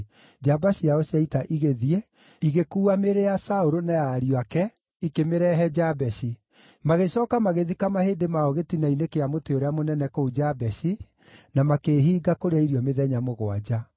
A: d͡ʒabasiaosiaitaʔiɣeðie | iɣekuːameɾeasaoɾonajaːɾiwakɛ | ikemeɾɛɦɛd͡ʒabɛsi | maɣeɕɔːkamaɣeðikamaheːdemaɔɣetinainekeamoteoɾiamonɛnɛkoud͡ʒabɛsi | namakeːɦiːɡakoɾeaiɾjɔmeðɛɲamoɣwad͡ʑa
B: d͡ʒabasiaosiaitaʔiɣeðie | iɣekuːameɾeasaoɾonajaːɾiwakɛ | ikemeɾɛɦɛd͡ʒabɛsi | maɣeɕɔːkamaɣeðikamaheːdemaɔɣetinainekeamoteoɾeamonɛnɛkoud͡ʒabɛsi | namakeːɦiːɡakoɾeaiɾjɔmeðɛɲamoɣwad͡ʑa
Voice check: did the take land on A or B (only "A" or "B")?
B